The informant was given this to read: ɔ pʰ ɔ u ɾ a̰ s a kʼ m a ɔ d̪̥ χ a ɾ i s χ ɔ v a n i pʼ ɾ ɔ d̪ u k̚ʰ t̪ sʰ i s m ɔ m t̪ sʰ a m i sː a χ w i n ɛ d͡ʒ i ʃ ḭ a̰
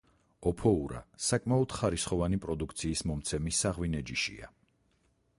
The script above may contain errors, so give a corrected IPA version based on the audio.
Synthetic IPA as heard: ɔ pʰ ɔ u ɾ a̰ s a kʼ m a ɔ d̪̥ χ a ɾ i s χ ɔ v a n i pʼ ɾ ɔ d̪ u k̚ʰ t̪ sʰ iː s m ɔ m t̪ sʰ ɛ m i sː a ʁ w i n ɛ d͡ʒ i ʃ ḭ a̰